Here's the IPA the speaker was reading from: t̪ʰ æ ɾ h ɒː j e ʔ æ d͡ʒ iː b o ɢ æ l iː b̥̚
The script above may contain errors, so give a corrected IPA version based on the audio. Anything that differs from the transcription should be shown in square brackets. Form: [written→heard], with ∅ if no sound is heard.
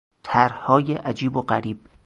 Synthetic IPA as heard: t̪ʰ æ ɾ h ɒː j e ʔ æ d͡ʒ iː b o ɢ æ [l→ɾ] iː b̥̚